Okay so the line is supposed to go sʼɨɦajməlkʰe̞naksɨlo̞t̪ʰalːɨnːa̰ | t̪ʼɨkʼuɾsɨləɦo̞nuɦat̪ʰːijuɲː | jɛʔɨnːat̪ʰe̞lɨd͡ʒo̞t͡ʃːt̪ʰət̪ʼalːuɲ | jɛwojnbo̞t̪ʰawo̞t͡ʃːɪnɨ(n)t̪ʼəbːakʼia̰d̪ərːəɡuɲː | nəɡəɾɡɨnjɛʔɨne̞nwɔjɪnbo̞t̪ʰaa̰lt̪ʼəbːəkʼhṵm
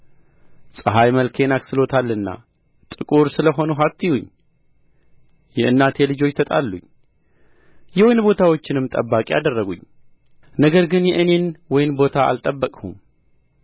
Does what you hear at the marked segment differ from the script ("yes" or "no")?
yes